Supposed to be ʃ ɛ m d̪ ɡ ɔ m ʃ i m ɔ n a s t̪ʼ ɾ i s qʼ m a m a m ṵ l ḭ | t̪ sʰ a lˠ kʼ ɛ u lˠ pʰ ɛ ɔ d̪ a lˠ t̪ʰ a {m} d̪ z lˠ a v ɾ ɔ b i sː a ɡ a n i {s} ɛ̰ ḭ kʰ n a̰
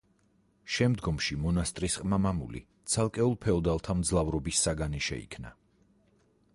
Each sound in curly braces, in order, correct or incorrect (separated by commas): correct, incorrect